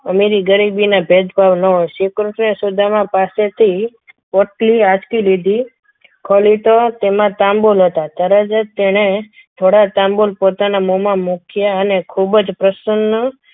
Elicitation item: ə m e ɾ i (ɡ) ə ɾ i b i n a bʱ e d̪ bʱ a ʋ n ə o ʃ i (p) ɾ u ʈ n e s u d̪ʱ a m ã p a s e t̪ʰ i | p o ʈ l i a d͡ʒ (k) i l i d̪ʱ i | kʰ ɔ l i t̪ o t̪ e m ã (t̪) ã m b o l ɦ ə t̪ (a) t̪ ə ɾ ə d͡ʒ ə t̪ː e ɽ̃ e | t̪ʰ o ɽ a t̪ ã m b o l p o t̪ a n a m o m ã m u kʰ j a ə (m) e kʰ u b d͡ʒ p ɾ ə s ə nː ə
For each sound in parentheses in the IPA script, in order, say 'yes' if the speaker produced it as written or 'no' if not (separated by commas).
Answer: yes, no, yes, yes, yes, no